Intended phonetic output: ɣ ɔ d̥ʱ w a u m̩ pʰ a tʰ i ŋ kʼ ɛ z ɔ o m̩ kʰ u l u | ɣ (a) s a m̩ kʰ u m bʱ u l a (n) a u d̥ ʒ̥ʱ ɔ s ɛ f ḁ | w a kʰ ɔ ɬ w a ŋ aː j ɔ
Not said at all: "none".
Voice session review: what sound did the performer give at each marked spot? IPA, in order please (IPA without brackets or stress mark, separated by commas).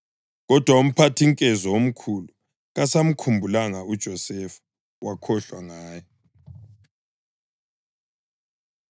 a, ŋ